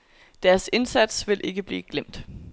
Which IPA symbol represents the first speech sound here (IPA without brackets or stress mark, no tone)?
d̥